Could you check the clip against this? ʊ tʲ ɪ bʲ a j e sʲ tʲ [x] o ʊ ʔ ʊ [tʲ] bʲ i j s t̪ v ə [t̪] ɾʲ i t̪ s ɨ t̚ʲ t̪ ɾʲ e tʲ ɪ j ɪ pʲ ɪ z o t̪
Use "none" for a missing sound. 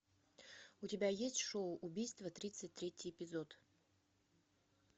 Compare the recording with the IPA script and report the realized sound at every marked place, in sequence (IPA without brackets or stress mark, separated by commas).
ʂ, none, t̪